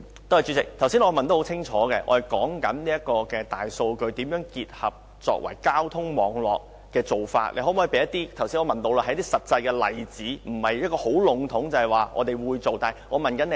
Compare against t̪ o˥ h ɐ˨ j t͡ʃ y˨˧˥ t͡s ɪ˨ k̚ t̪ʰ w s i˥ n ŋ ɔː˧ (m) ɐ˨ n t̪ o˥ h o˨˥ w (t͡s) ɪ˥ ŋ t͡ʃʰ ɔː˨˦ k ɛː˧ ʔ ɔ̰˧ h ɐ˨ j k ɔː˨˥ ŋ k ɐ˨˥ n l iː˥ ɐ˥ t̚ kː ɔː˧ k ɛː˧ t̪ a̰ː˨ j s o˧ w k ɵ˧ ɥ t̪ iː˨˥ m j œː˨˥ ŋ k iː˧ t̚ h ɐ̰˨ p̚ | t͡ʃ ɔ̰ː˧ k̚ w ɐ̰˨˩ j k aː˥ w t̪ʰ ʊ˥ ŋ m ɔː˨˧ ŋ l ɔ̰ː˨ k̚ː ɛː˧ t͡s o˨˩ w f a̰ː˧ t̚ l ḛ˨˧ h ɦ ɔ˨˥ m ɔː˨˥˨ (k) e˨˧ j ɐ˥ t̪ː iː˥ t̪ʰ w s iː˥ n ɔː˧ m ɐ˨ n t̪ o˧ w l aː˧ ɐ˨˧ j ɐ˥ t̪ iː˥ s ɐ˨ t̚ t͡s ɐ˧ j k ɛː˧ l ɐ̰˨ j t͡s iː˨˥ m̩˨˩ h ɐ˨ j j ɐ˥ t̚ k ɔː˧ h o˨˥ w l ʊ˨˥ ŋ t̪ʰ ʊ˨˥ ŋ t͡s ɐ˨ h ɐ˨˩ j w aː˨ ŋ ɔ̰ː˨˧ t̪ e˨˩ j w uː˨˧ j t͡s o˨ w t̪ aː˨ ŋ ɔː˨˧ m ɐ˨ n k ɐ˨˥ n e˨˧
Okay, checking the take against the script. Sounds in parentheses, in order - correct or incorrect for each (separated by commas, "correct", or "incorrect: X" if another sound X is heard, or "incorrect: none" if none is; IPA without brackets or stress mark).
correct, incorrect: t͡sʰ, incorrect: p